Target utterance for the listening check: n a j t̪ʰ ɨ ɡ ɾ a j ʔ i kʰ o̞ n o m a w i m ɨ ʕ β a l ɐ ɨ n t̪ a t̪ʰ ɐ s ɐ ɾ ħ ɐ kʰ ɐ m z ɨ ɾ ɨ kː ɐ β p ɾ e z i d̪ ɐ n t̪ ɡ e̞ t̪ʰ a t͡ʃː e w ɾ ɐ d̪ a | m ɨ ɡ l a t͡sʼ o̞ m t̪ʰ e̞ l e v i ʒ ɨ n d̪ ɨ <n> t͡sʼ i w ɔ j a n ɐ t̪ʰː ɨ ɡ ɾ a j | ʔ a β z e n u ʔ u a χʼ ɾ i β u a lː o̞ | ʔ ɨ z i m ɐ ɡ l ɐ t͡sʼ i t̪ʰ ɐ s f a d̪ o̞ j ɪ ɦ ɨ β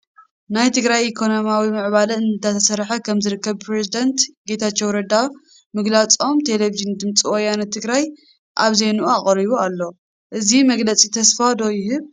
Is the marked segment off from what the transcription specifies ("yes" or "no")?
yes